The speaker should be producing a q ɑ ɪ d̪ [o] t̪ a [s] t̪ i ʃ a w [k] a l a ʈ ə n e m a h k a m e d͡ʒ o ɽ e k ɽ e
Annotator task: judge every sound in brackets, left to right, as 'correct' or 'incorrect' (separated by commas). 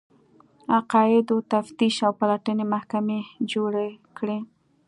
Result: correct, incorrect, incorrect